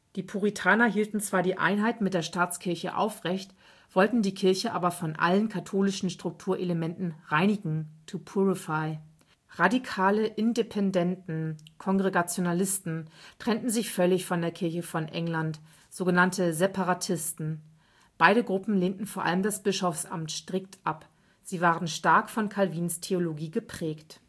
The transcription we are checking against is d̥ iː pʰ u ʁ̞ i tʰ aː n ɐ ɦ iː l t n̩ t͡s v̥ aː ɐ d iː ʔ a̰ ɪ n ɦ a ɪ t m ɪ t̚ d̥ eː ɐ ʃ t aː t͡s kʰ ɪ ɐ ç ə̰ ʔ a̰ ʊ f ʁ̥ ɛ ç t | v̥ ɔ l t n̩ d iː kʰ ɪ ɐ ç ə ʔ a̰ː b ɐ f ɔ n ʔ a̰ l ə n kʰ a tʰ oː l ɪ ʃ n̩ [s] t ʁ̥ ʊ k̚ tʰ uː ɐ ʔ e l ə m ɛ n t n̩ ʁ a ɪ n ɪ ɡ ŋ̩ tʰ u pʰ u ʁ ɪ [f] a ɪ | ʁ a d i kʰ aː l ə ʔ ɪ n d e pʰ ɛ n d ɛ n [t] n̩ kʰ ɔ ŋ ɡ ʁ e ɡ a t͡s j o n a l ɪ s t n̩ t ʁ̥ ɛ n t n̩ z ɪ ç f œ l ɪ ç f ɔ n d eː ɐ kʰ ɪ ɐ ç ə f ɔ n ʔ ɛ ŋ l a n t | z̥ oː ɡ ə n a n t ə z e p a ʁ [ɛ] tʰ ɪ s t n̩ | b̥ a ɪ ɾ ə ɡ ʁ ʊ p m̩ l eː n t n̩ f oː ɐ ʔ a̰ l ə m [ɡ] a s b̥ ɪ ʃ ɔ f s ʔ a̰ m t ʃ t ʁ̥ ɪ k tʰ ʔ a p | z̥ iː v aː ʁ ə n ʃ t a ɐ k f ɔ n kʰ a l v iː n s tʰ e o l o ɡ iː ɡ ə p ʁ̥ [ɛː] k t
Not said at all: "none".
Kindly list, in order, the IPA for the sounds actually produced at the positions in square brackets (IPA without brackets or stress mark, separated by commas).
ʃ, f, t, a, d, ɛː